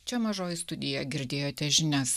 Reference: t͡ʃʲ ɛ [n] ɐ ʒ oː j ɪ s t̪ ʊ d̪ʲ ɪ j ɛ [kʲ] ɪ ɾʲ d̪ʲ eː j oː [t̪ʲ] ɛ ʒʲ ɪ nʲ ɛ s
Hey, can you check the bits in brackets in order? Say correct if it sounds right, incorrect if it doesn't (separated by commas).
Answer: incorrect, incorrect, correct